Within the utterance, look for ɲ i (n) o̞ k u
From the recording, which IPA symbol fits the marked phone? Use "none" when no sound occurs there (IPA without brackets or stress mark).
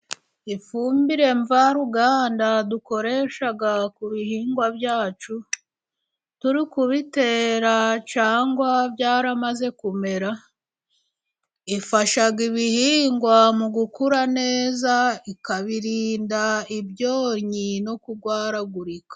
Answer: n